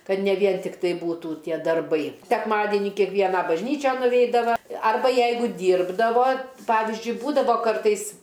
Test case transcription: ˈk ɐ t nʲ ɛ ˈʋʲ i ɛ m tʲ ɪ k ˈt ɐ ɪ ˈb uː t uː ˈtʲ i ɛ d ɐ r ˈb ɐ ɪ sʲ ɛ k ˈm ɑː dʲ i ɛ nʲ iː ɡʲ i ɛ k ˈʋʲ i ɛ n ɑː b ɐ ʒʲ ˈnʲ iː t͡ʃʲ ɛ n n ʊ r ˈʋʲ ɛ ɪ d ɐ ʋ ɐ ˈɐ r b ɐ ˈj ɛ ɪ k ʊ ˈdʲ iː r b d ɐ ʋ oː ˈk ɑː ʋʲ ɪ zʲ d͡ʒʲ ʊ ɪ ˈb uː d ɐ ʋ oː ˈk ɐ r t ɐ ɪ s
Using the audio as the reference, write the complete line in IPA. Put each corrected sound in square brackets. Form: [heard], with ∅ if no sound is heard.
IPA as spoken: ˈk ɐ t nʲ ɛ ˈʋʲ i ɛ [n] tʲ ɪ k ˈt ɐ ɪ ˈb uː t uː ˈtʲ i ɛ d ɐ r ˈb ɐ ɪ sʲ ɛ k ˈm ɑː dʲ i ɛ nʲ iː [kʲ] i ɛ k ˈʋʲ i ɛ n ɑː b ɐ ʒʲ ˈnʲ iː t͡ʃʲ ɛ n n ʊ [∅] ˈʋʲ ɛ ɪ d ɐ ʋ ɐ ˈɐ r b ɐ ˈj ɛ ɪ [ɡ] ʊ ˈdʲ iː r b d ɐ ʋ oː [ˈp] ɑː ʋʲ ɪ zʲ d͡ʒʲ ʊ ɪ ˈb uː d ɐ ʋ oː ˈk ɐ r t ɐ ɪ s

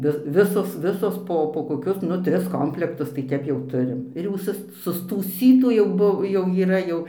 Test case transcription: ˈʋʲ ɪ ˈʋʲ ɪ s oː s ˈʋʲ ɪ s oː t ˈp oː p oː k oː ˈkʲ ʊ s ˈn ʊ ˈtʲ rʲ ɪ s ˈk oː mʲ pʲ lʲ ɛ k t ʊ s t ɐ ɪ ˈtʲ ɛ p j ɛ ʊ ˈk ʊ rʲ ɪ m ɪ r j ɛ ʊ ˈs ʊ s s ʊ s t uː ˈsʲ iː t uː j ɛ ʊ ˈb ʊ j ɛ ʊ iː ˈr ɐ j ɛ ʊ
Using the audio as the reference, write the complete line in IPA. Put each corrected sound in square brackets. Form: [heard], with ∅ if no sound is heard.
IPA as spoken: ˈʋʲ ɪ ˈʋʲ ɪ s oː s ˈʋʲ ɪ s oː [s] ˈp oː p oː k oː ˈkʲ ʊ s ˈn ʊ ˈtʲ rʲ ɪ s ˈk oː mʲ pʲ lʲ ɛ k t ʊ s t ɐ ɪ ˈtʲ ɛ p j ɛ ʊ [ˈt] ʊ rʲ ɪ m ɪ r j ɛ ʊ ˈs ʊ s s ʊ s t uː ˈsʲ iː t uː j ɛ ʊ ˈb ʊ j ɛ ʊ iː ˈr ɐ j ɛ ʊ

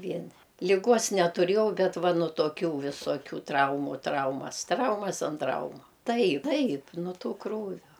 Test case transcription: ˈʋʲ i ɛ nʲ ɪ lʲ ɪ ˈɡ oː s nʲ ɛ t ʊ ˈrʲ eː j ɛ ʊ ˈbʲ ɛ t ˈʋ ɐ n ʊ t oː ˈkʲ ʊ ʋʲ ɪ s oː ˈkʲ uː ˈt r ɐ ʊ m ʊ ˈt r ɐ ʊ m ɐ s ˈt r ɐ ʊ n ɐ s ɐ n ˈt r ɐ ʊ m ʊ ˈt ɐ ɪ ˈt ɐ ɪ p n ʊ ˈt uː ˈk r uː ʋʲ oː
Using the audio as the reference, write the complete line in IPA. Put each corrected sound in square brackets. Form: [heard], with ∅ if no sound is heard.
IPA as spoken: ˈʋʲ i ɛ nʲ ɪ lʲ ɪ ˈɡ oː s nʲ ɛ t ʊ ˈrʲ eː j ɛ ʊ ˈbʲ ɛ t ˈʋ ɐ n ʊ t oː ˈkʲ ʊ ʋʲ ɪ s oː ˈkʲ uː ˈt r ɐ ʊ m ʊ ˈt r ɐ ʊ m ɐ s ˈt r ɐ ʊ [m] ɐ s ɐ n ˈt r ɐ ʊ m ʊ ˈt ɐ ɪ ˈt ɐ ɪ p n ʊ ˈt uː ˈk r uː ʋʲ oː

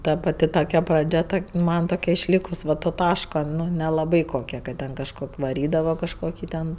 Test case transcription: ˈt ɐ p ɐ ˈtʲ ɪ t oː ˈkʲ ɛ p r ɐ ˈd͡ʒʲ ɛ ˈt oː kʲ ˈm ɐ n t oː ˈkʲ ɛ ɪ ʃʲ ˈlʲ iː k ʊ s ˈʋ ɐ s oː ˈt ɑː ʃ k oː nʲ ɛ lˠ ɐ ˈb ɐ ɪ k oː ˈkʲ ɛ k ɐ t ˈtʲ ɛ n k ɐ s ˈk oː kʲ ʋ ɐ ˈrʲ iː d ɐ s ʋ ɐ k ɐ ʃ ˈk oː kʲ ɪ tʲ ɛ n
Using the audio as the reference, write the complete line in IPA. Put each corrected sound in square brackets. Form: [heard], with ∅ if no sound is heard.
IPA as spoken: ˈt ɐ p ɐ ˈtʲ ɪ t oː ˈkʲ ɛ p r ɐ ˈd͡ʒʲ ɛ ˈt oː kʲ ˈm ɐ n t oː ˈkʲ ɛ ɪ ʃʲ ˈlʲ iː k ʊ s ˈʋ ɐ [t] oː ˈt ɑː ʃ k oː nʲ ɛ lˠ ɐ ˈb ɐ ɪ k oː ˈkʲ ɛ k ɐ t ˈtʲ ɛ n k ɐ [ʃ] ˈk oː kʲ ʋ ɐ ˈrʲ iː d ɐ [∅] ʋ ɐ k ɐ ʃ ˈk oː kʲ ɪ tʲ ɛ n

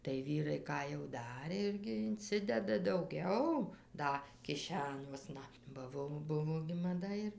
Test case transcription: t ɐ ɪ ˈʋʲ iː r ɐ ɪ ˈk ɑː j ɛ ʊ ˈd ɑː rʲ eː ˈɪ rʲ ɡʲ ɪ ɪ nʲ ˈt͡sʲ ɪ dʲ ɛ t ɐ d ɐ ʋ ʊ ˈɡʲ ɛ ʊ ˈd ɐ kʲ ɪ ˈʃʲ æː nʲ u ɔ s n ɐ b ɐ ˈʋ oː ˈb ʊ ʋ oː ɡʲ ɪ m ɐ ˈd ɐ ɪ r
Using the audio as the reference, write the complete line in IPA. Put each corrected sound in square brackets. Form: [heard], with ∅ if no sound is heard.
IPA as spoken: t ɐ ɪ ˈʋʲ iː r ɐ ɪ ˈk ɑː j ɛ ʊ ˈd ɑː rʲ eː ˈɪ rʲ ɡʲ ɪ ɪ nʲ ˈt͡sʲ ɪ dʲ ɛ [d] ɐ d ɐ [∅] ʊ ˈɡʲ ɛ ʊ ˈd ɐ kʲ ɪ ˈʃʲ æː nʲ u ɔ s n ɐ b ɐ ˈʋ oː ˈb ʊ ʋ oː ɡʲ ɪ m ɐ ˈd ɐ ɪ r

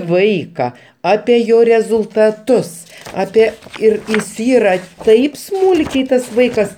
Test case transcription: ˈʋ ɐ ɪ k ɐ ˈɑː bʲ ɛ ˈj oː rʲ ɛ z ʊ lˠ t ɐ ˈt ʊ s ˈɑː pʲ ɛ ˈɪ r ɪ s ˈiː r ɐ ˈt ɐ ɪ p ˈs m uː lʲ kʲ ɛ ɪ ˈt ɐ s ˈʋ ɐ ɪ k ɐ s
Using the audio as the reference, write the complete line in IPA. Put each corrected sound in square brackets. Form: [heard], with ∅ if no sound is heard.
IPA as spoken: ˈʋ ɐ ɪ k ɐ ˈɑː [pʲ] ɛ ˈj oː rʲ ɛ z ʊ lˠ t ɐ ˈt ʊ s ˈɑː pʲ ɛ ˈɪ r ɪ s ˈiː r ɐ ˈt ɐ ɪ p ˈs m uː lʲ kʲ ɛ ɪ ˈt ɐ s ˈʋ ɐ ɪ k ɐ s

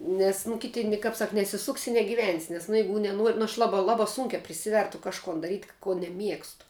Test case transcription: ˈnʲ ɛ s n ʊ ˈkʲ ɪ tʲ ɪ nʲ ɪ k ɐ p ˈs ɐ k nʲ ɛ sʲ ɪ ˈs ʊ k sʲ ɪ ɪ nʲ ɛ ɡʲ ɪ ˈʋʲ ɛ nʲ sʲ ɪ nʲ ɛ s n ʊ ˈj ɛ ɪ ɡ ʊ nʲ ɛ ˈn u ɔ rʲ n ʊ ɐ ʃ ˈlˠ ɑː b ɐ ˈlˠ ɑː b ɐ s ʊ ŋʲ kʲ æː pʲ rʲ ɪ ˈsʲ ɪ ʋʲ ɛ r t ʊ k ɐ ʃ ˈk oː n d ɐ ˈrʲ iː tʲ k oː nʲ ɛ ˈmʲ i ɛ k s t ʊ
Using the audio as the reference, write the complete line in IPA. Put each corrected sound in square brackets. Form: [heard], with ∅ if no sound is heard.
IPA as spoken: ˈnʲ ɛ s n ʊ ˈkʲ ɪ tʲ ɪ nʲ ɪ k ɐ p ˈs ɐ k nʲ ɛ sʲ ɪ ˈs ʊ k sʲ ɪ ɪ nʲ ɛ ɡʲ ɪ ˈʋʲ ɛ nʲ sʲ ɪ nʲ ɛ s n ʊ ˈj ɛ ɪ ɡ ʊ nʲ ɛ ˈn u ɔ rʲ n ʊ ɐ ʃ ˈlˠ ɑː b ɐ ˈlˠ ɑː b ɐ s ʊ ŋʲ kʲ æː pʲ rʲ ɪ ˈsʲ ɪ ʋʲ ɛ r t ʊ k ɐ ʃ ˈk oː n d ɐ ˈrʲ iː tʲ k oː nʲ ɛ ˈmʲ i ɛ k s t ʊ

